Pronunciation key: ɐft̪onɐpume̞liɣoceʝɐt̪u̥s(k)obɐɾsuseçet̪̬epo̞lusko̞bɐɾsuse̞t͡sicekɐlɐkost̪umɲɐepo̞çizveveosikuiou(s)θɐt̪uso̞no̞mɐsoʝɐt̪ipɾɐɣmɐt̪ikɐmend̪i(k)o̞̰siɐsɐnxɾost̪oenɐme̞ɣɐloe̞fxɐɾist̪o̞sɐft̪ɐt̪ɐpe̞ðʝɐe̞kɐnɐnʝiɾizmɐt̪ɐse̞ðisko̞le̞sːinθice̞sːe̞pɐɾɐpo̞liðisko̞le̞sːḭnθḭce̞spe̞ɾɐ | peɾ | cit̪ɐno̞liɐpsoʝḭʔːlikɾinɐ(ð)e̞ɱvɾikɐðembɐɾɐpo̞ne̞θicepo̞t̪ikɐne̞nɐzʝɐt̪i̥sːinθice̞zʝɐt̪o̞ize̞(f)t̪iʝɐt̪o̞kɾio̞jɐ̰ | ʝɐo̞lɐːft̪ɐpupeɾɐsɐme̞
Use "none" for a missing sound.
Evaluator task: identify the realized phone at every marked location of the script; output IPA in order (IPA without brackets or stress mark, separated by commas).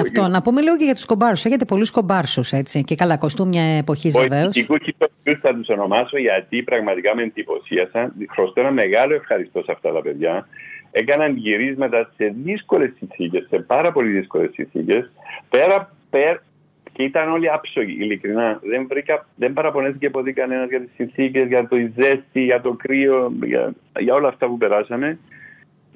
k, s, p, ð, s